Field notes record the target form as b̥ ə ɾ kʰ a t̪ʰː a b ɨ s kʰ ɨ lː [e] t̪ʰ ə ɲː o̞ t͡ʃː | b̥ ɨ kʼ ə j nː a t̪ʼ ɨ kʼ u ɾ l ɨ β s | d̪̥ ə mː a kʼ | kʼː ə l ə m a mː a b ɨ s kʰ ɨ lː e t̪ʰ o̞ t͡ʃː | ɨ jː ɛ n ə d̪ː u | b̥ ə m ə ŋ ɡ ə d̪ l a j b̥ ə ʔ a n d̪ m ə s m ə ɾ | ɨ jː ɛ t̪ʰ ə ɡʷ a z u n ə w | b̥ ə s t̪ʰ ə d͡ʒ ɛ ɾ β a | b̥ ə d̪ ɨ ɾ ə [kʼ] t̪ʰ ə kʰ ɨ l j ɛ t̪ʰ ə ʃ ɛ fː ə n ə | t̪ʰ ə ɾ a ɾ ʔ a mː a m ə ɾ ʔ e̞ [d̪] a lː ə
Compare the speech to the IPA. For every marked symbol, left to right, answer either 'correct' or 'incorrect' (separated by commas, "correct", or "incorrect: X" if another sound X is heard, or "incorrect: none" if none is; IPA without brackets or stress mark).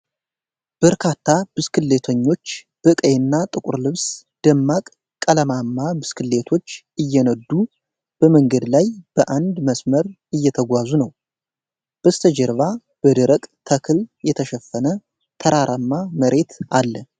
correct, correct, incorrect: t̪